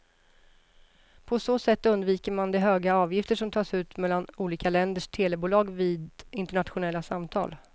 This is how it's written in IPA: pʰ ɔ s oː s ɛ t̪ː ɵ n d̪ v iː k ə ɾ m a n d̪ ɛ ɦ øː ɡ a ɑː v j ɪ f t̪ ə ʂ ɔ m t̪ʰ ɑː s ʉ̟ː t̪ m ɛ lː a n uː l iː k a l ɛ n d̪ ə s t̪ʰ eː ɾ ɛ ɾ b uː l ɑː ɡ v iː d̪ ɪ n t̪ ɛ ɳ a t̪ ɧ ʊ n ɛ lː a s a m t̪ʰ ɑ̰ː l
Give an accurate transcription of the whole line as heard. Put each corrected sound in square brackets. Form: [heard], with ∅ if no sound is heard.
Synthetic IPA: pʰ ɔ s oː s ɛ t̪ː ɵ n d̪ v iː k ə ɾ m a n d̪ ɛ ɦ øː ɡ a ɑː v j ɪ f t̪ ə ʂ ɔ m t̪ʰ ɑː s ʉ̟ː t̪ m ɛ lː a n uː l iː k a l ɛ n d̪ ə [ʂ] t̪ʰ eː [l] ɛ [∅] b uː l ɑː ɡ v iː d̪ ɪ n t̪ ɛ ɳ a t̪ ɧ ʊ n ɛ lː a s a m t̪ʰ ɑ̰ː l